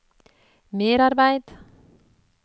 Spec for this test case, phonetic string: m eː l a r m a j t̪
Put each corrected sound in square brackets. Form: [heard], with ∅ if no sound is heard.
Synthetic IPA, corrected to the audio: m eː [ɾ] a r [b] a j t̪

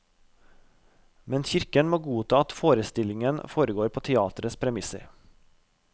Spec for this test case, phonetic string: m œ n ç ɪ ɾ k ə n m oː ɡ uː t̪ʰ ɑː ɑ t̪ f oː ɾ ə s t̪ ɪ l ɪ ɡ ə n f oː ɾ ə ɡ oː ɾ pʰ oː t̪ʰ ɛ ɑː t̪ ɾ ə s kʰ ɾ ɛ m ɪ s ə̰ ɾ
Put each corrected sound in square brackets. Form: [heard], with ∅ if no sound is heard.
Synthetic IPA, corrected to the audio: m [ɛ] n ç ɪ ɾ k ə n m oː ɡ uː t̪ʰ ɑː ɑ t̪ f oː ɾ ə s t̪ ɪ l ɪ [ŋ] ə n f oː ɾ ə ɡ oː ɾ pʰ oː t̪ʰ ɛ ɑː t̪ ɾ ə s [pʰ] ɾ ɛ m ɪ s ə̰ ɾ

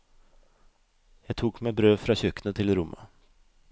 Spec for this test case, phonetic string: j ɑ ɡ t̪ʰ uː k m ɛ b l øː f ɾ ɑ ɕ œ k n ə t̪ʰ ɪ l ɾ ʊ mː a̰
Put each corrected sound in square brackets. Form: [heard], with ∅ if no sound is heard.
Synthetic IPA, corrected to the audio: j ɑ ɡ t̪ʰ uː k m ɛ b [ɾ] øː f ɾ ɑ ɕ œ k n ə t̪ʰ ɪ l ɾ ʊ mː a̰

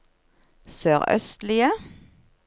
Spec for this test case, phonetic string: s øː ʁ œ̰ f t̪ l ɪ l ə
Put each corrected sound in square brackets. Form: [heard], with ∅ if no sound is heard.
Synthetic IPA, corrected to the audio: s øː ʁ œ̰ [s] t̪ l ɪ [∅] ə

